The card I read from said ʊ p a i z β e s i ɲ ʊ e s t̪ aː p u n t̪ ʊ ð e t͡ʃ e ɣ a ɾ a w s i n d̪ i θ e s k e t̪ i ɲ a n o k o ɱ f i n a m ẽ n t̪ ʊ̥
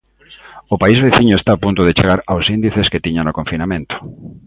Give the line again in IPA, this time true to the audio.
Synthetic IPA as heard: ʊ p a i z β e θ i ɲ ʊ e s t̪ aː p u n t̪ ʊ ð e t͡ʃ e ɣ a ɾ a w s i n d̪ i θ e s k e t̪ i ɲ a n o k o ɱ f i n a m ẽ n t̪ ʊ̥